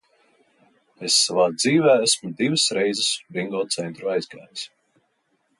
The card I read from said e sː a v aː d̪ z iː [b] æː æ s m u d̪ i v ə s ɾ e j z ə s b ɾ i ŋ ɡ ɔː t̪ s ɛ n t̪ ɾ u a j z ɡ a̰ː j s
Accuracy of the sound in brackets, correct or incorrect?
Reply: incorrect